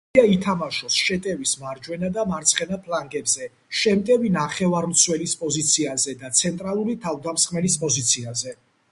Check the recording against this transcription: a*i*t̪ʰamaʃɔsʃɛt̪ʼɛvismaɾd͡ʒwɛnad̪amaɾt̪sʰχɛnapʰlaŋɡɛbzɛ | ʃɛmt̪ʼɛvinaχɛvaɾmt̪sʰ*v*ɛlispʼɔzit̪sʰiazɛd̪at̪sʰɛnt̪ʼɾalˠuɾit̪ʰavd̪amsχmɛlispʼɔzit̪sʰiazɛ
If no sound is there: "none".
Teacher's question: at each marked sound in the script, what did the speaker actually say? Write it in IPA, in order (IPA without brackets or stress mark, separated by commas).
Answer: i, w